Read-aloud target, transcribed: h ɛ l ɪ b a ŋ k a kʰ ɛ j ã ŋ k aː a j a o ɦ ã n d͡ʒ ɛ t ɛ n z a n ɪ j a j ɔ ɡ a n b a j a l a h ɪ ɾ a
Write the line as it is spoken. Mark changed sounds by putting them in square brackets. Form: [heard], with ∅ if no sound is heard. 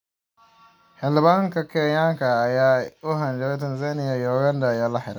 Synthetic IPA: h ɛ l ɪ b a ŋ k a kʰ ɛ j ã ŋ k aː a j a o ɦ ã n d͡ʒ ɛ t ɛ n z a n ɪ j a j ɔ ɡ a n [d] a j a l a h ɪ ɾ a